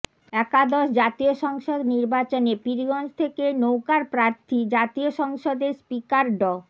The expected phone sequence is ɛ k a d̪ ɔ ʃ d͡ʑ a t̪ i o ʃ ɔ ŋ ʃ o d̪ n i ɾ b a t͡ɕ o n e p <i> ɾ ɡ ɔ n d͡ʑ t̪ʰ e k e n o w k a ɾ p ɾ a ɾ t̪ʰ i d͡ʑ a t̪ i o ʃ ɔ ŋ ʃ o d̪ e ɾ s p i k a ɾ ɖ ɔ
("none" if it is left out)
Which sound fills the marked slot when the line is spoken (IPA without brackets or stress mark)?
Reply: i